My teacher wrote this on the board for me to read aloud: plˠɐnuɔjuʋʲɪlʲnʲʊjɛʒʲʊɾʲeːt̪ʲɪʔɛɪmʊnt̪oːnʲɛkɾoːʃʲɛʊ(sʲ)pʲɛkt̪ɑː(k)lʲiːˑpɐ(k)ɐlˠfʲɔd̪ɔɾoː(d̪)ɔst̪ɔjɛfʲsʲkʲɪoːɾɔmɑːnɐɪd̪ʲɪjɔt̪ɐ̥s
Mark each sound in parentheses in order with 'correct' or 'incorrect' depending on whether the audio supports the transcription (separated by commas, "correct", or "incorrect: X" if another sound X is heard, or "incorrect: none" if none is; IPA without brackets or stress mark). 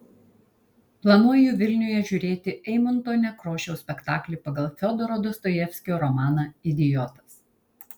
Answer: correct, correct, incorrect: ɡ, correct